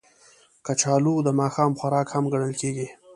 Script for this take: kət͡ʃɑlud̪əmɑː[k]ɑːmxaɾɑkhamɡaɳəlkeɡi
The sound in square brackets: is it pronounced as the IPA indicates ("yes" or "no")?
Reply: no